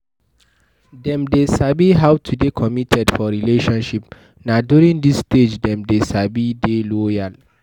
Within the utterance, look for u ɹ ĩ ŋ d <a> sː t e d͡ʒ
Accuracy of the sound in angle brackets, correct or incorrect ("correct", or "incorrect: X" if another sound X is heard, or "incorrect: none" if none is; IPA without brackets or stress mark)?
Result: incorrect: i